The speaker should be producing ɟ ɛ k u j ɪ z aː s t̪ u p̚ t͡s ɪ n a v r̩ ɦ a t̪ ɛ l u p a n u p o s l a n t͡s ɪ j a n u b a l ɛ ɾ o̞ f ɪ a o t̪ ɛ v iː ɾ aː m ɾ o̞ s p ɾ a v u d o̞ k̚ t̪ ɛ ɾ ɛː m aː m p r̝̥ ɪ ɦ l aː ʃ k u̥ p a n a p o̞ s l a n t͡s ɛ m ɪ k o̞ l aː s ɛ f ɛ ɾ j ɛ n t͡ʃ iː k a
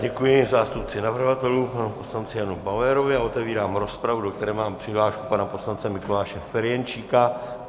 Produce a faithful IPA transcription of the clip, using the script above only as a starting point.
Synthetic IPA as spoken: ɟ ɛ k u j ɪ z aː s t̪ u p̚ t͡s ɪ n a v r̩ ɦ a t̪ ɛ l u p a n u p o s l a n t͡s ɪ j a n u b a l ɛ ɾ o̞ v ɪ a o t̪ ɛ v iː ɾ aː m ɾ o̞ s p ɾ a v u d o̞ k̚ t̪ ɛ ɾ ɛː m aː m p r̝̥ ɪ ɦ l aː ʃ k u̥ p a n a p o̞ s l a n t͡s ɛ m ɪ k o̞ l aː ʃ ɛ f ɛ ɾ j ɛ n t͡ʃ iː k a